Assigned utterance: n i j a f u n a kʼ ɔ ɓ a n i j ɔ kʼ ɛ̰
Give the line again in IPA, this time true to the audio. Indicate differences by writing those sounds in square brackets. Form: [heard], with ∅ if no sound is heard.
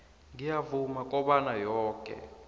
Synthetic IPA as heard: [ŋ] i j a [v] u [m] a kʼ ɔ ɓ a n [a] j [ɔː] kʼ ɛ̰